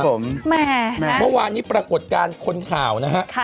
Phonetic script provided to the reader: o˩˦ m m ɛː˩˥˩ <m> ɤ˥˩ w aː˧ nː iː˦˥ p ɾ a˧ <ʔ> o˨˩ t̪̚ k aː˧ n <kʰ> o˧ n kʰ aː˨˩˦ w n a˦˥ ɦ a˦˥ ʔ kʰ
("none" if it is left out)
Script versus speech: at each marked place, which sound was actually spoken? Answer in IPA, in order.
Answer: m, k, kʰ

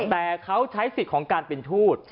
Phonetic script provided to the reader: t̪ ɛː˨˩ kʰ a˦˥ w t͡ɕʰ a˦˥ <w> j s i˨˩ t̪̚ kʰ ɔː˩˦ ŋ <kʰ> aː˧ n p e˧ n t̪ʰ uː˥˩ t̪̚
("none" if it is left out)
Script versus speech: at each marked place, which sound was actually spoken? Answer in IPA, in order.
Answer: none, k

